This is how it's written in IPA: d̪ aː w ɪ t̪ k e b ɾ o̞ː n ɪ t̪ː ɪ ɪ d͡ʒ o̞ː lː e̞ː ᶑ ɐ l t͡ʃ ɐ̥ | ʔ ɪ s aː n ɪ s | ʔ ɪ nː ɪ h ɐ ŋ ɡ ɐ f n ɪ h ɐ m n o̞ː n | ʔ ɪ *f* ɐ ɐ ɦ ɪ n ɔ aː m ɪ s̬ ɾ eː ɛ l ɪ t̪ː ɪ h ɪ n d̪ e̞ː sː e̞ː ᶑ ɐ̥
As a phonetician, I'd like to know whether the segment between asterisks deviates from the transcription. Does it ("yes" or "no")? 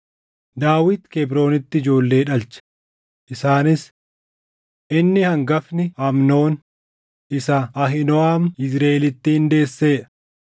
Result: yes